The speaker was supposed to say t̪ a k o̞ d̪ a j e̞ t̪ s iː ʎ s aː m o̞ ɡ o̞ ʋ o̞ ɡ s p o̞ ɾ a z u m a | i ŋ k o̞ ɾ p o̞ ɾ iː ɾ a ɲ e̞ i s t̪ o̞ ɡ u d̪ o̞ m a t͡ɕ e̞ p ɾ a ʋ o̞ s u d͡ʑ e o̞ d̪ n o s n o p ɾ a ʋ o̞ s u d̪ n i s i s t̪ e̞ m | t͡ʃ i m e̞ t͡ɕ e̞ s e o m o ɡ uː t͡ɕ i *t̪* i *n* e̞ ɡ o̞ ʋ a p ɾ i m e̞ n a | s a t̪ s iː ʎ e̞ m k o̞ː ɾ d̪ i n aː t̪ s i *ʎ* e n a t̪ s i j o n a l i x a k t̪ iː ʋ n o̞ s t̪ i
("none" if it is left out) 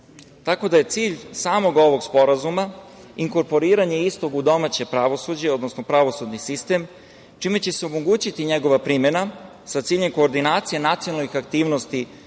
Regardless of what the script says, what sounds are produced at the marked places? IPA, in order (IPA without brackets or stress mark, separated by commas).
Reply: t̪, ɲ, j